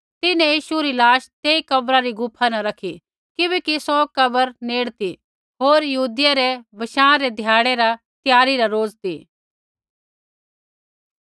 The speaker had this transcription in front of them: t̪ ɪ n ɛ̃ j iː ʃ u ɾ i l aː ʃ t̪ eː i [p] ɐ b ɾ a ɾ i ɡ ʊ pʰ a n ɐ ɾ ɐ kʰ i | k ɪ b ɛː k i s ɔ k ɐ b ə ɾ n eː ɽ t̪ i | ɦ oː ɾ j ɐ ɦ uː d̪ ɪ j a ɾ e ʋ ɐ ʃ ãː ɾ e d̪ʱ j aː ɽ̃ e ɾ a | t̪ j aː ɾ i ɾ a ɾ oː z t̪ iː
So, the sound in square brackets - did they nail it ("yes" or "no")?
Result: no